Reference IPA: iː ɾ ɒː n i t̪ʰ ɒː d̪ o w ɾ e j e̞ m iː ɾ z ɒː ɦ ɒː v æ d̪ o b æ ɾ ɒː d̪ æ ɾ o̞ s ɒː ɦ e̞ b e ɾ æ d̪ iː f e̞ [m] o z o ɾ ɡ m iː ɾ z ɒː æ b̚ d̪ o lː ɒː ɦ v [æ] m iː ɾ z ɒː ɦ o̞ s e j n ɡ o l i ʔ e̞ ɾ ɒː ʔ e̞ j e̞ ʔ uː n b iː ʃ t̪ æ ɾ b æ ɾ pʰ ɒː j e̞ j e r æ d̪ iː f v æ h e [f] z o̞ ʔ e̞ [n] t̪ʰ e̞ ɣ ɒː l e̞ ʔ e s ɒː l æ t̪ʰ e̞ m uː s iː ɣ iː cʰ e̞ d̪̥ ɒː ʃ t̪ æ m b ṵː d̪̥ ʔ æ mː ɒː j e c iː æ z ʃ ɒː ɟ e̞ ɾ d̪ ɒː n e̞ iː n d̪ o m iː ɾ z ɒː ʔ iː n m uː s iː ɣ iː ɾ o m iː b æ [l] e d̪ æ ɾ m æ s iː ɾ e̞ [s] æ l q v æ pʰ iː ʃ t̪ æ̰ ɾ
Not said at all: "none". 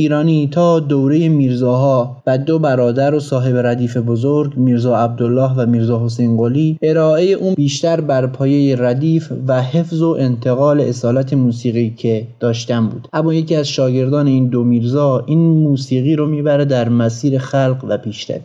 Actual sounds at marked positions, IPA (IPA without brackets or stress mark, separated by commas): b, æ, f, n, ɾ, x